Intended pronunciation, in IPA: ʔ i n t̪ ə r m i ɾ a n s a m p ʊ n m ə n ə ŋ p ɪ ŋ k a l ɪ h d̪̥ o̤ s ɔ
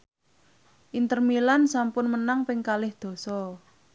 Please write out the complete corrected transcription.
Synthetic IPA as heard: ʔ i n t̪ ə r m i l a n s a m p ʊ n m ə n a ŋ p ɪ ŋ k a l ɪ h d̪̥ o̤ s ɔ